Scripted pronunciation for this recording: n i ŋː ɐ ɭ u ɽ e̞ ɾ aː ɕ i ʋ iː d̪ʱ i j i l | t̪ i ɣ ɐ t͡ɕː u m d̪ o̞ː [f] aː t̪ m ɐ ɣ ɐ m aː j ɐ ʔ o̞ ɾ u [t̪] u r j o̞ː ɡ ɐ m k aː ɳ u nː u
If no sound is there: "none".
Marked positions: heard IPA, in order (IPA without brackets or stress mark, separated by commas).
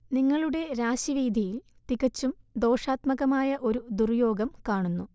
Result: ʂ, d̪